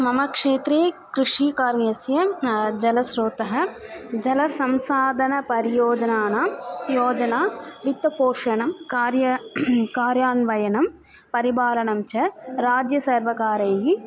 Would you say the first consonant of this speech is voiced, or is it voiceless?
voiced